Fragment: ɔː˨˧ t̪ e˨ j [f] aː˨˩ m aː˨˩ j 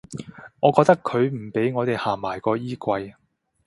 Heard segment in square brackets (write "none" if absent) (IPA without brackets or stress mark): h